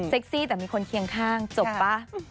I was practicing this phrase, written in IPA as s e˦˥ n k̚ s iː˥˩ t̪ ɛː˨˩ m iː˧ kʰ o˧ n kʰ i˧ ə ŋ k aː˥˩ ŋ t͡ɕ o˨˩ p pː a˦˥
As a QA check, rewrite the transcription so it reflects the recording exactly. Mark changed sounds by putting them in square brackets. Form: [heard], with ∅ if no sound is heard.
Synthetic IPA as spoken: s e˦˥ [∅] k̚ s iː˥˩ t̪ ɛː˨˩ m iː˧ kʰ o˧ n kʰ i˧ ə ŋ [kʰ] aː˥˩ ŋ t͡ɕ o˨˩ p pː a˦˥